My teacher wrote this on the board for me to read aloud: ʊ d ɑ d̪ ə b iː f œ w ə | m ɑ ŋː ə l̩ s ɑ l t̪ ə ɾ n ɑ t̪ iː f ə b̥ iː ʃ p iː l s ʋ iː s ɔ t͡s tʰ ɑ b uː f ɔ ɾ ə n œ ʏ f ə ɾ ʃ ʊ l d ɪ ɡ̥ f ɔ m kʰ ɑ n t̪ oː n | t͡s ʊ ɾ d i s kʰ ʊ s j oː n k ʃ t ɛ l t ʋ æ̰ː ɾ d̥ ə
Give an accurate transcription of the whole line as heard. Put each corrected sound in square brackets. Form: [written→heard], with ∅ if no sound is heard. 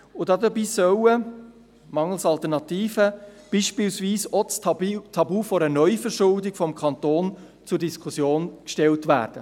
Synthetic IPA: ʊ d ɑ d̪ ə b iː [f→s] œ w ə | m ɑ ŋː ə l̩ s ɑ l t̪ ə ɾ n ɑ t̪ iː f ə b̥ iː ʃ p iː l s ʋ iː s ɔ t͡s tʰ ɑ b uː f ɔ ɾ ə n œ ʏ f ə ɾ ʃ ʊ l d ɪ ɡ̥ f ɔ m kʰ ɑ n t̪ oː n | t͡s ʊ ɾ d i s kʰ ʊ s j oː n k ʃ t ɛ l t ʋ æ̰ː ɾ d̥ ə